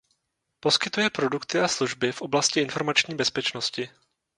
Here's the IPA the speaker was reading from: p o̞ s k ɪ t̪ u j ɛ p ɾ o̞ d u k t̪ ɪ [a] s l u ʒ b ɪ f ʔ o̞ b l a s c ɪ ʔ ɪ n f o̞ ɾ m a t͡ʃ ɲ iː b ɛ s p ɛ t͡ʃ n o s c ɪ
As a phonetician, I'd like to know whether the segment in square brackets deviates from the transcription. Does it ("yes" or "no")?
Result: no